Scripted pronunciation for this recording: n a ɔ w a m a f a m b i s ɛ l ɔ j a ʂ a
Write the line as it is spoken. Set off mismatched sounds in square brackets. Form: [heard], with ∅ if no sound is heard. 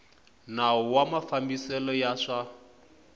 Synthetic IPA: n a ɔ w a m a f a m b i s ɛ l ɔ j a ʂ a